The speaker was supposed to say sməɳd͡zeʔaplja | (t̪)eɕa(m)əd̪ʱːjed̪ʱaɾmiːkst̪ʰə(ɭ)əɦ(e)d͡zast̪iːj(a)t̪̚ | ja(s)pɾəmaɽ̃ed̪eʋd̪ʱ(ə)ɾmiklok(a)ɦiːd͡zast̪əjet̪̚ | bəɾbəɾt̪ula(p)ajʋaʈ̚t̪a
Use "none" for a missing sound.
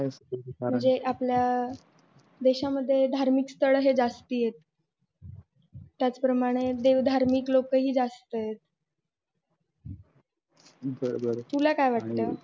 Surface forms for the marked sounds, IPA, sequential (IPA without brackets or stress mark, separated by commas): d̪, m, ɭ, e, e, t͡s, a, ə, k